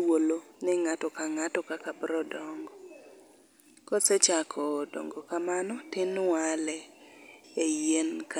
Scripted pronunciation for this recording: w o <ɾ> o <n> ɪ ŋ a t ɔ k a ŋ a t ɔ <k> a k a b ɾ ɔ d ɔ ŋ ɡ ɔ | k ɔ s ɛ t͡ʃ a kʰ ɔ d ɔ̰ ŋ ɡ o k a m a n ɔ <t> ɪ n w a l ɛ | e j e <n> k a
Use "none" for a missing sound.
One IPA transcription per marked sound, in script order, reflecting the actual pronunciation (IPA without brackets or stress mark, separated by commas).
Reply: l, n, k, t, n